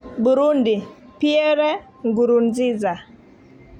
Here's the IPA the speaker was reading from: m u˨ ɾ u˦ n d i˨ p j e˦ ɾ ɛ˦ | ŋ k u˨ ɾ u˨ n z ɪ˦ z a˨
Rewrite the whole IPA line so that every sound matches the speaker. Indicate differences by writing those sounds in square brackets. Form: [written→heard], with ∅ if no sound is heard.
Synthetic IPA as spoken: [m→b] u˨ ɾ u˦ n d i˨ p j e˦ ɾ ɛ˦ | ŋ [k→ɡ] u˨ ɾ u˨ n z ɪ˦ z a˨

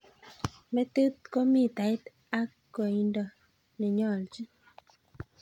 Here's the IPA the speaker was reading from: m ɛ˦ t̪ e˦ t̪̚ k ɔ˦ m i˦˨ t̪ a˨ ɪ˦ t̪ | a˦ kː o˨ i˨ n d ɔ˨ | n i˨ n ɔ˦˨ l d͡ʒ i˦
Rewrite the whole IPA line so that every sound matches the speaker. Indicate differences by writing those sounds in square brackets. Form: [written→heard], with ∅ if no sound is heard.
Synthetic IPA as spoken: m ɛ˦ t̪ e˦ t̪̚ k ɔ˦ m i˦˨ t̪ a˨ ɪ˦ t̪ | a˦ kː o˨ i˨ n d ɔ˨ | n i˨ [n→ɲ] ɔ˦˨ l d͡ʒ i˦

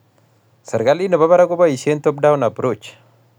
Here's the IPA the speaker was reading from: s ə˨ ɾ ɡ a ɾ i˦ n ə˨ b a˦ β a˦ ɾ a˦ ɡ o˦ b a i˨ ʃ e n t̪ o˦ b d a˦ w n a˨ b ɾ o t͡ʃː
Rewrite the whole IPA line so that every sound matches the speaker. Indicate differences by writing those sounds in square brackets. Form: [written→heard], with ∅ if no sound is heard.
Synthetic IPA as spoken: s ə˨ ɾ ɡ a [ɾ→l] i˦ n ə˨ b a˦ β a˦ ɾ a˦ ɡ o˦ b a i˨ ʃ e n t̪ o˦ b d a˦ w n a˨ b ɾ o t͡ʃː

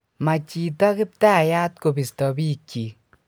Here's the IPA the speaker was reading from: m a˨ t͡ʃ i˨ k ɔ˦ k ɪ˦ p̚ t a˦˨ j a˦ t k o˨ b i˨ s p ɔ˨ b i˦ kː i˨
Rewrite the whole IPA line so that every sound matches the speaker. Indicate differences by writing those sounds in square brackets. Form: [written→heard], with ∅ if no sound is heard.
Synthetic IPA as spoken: m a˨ t͡ʃ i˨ [k→t] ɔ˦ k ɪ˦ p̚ t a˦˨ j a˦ t k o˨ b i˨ s [p→t] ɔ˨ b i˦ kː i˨

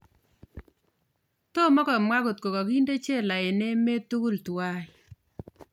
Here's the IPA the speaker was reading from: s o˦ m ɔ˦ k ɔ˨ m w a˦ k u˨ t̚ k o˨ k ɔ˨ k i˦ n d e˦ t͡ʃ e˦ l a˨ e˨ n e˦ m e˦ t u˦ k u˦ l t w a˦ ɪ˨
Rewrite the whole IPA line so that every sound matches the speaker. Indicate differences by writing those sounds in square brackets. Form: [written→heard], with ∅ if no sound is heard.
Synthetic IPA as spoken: [s→t] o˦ m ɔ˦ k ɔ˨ m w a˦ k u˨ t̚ k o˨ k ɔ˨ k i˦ n d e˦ t͡ʃ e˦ l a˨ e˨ n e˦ m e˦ t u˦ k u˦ l t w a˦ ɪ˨

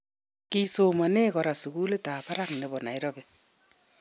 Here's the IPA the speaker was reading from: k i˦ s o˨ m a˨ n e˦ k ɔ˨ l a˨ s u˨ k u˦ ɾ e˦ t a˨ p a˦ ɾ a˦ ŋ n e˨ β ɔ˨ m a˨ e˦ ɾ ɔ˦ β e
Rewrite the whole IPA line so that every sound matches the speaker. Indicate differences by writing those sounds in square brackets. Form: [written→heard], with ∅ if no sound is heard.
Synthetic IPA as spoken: k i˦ s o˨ m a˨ n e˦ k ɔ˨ [l→ɾ] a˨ s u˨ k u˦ [ɾ→l] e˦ t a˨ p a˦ ɾ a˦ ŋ n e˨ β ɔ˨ [m→n] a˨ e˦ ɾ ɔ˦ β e

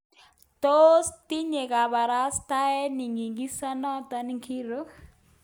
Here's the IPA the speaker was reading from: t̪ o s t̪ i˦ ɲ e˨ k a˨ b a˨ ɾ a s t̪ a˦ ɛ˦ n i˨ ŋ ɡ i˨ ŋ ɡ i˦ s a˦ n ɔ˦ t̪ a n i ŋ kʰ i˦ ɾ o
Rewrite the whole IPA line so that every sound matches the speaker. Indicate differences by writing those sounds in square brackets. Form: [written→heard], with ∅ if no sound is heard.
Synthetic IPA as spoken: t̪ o s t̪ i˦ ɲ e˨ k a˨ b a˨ ɾ a s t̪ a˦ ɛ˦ n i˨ ŋ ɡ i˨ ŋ ɡ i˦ s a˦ n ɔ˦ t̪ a n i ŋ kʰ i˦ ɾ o

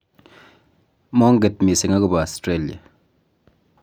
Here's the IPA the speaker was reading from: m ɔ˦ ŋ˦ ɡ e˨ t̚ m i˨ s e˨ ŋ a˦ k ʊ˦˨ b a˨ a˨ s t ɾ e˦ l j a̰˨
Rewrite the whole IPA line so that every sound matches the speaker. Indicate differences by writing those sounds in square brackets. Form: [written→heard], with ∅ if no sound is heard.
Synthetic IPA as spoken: m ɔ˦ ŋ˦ ɡ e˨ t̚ m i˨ s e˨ ŋ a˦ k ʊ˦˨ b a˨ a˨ s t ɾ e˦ l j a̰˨

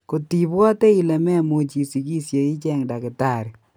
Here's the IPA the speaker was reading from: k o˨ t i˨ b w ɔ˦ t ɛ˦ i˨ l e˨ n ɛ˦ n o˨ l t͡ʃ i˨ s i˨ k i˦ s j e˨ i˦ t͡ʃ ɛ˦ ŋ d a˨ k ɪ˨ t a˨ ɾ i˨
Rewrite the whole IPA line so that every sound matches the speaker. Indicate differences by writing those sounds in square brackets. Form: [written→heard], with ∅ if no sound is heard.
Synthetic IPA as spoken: k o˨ t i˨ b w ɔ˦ t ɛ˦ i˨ l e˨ [n→m] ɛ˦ [n→m] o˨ [l→∅] t͡ʃ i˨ s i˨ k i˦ s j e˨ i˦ t͡ʃ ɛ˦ ŋ d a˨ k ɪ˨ t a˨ ɾ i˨

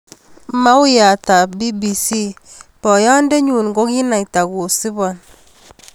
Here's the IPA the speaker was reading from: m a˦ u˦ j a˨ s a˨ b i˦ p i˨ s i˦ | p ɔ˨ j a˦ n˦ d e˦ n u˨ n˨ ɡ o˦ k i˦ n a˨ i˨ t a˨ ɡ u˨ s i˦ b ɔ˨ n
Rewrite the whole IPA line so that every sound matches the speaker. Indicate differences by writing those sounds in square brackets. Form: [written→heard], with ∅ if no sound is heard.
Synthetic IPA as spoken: m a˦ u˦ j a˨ [s→t] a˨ b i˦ [p→b] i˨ s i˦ | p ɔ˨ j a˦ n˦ d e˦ [n→ɲ] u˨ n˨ ɡ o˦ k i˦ n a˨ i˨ t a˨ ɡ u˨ s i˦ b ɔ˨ n

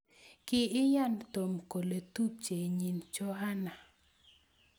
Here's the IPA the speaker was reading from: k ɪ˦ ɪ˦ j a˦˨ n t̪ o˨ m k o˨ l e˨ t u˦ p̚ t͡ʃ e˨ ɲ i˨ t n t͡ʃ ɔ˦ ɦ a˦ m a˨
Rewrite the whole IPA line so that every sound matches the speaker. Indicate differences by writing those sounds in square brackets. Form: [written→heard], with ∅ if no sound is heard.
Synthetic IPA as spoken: k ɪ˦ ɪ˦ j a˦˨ n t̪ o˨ m k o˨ l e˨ t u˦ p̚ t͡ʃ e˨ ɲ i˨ [t→∅] n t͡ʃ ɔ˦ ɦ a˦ [m→n] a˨

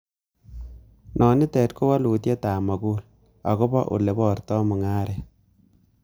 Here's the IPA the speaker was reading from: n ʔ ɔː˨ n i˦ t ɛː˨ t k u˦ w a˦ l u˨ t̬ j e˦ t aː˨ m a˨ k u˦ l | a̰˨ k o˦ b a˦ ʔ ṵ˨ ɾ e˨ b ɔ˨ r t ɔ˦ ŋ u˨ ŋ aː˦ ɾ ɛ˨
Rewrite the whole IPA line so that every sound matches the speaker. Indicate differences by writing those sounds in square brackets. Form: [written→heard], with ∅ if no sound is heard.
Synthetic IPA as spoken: n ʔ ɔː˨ n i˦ t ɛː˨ t k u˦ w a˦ l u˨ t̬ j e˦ t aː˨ m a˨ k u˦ l | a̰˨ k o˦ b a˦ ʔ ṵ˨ [ɾ→l] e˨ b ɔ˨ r t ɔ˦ [ŋ→m] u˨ ŋ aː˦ ɾ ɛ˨

